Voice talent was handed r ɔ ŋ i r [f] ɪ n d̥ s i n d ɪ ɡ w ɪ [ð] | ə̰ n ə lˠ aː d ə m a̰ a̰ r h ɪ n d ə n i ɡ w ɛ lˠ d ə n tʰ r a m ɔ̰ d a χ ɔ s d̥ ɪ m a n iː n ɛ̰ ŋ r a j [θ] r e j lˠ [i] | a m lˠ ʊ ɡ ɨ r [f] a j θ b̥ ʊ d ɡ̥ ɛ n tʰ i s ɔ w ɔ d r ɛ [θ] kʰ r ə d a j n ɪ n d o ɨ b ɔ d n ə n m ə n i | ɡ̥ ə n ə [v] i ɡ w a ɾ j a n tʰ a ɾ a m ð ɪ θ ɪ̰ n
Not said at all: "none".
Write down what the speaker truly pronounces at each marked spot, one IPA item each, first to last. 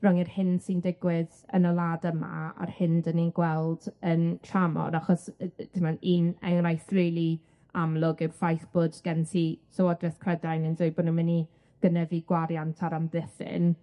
h, ð, θ, i, f, θ, v

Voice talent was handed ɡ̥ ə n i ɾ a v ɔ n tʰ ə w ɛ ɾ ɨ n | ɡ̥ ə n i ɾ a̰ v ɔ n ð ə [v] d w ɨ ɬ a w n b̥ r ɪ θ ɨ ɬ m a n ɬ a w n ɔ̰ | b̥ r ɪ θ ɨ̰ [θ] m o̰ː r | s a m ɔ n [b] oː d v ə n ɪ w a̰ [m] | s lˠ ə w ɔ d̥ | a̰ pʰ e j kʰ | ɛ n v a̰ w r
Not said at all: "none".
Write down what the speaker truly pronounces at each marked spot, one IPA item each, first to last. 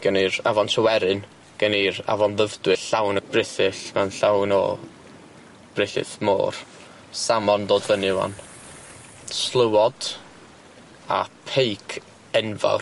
v, θ, d, n

